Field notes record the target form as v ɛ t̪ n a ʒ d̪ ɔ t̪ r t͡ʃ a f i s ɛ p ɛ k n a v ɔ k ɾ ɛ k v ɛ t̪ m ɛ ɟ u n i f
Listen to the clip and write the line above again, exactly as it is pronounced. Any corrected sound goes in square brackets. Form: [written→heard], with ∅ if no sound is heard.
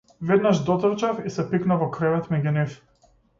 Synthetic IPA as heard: v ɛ [t̪→d̪] n a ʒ d̪ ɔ t̪ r t͡ʃ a f i s ɛ p [ɛ→i] k n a v ɔ k ɾ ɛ [k→∅] v ɛ t̪ m ɛ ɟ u n i f